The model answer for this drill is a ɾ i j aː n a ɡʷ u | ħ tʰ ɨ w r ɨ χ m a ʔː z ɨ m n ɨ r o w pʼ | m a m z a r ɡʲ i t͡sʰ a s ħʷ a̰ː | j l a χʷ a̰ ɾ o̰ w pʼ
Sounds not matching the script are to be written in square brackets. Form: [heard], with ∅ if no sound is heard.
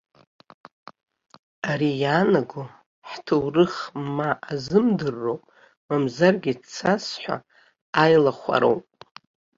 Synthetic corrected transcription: a ɾ i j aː n a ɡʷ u | ħ tʰ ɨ w r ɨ χ m a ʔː z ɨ m [d] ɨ [rː] o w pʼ | m a m z a r ɡʲ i t͡sʰ a s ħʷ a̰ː | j l a χʷ a̰ ɾ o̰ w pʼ